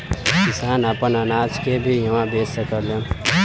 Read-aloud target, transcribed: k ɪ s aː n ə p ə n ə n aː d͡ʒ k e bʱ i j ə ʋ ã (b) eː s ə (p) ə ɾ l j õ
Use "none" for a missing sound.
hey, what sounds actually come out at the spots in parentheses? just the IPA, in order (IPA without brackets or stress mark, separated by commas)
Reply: b, k